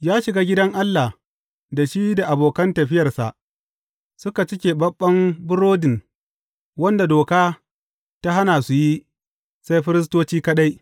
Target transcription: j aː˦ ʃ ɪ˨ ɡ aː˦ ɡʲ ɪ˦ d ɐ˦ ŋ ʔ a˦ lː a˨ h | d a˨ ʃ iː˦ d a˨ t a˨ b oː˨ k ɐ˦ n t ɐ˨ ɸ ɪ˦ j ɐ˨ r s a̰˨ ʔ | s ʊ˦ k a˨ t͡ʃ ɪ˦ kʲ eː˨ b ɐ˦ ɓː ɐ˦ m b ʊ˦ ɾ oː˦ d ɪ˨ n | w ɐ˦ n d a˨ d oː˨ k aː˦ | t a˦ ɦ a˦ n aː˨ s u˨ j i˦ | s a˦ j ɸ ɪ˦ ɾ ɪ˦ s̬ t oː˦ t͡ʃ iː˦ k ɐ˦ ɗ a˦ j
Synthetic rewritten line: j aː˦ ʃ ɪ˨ ɡ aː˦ ɡʲ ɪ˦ d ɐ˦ ŋ ʔ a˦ lː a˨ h | d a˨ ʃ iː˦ d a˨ ʔ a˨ b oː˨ k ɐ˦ n t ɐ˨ ɸ ɪ˦ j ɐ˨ r s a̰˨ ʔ | s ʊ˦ k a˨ t͡ʃ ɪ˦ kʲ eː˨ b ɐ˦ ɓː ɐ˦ m b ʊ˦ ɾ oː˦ d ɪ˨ n | w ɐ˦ n d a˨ d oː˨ k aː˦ | t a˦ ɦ a˦ n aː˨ s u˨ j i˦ | s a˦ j ɸ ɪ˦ ɾ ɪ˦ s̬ t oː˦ t͡ʃ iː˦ k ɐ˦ ɗ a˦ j